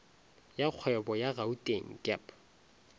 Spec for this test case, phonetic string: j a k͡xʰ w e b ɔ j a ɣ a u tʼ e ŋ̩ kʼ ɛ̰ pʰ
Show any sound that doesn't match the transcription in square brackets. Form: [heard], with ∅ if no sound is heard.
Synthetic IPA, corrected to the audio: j a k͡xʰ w [ɛ] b ɔ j a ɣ a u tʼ e ŋ̩ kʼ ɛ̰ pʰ